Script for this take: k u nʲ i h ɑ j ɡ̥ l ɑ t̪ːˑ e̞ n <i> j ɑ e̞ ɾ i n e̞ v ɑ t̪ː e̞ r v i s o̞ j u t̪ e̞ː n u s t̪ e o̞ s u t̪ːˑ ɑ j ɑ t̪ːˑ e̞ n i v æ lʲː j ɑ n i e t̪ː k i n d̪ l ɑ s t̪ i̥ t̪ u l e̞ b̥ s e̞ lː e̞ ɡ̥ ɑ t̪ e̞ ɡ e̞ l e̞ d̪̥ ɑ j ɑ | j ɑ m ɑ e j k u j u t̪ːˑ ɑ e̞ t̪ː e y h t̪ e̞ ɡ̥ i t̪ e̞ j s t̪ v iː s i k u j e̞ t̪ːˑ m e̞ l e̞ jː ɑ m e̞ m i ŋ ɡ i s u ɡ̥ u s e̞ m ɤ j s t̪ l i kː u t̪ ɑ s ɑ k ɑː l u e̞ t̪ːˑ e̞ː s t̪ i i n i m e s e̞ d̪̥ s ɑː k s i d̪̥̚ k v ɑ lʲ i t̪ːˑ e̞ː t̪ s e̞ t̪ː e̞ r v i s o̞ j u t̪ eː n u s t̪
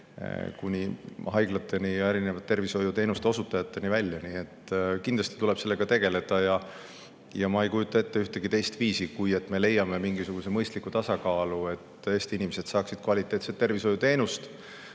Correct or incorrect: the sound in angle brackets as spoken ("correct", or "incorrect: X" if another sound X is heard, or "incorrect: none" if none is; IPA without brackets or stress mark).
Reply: correct